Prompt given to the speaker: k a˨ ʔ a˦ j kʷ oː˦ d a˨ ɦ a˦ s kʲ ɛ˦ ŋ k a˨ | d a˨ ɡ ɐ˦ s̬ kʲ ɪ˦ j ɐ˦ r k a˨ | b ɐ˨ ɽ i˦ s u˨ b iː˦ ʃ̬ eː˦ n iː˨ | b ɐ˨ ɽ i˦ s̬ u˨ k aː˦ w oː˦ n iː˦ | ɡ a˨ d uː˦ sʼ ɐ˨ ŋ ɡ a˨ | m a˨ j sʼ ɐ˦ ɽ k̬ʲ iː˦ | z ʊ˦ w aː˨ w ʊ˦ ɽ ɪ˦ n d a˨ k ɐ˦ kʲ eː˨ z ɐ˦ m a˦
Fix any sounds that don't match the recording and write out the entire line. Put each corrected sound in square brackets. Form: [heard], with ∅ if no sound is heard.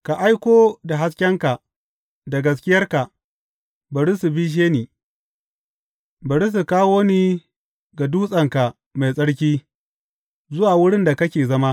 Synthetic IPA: k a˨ ʔ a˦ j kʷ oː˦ d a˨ ɦ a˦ s kʲ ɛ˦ ŋ k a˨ | d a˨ ɡ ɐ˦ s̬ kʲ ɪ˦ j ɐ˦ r k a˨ | b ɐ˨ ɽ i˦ s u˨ b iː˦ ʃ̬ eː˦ n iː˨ | b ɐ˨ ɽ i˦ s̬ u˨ k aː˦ w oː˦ n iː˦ | ɡ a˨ d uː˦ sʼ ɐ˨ ŋ [k] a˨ | m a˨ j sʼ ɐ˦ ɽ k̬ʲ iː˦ | z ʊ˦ w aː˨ w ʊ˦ ɽ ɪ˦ n d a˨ k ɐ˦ kʲ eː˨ z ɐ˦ m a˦